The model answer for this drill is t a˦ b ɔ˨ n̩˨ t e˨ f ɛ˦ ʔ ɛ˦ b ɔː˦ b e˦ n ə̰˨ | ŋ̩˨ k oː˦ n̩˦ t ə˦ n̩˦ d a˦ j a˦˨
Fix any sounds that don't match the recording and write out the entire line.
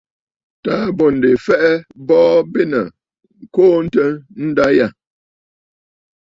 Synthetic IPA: t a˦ b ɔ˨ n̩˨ d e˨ f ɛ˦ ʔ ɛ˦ b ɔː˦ b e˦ n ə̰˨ | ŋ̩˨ k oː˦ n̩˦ t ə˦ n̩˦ d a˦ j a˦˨